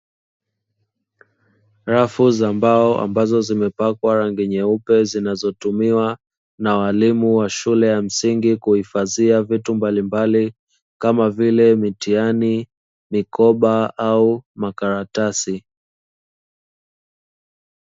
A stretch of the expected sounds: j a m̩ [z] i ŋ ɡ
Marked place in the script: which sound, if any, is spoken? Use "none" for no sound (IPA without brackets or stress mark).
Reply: s